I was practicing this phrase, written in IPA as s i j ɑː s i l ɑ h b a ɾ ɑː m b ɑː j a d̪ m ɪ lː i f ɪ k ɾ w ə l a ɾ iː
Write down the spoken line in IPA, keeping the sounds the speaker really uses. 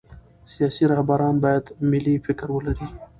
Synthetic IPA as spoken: s i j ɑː s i ɾ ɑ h b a ɾ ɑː n b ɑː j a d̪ m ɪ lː i f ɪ k ɾ w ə l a ɾ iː